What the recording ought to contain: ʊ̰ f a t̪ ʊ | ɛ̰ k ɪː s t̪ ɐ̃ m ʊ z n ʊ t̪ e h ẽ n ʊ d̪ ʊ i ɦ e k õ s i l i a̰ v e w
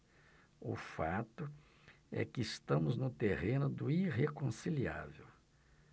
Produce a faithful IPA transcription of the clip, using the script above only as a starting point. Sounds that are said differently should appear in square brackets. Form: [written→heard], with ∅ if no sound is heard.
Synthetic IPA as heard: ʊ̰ f a t̪ ʊ | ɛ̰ k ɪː s t̪ ɐ̃ m ʊ z n ʊ t̪ e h ẽ n ʊ d̪ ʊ i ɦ e k õ s i l i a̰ v e w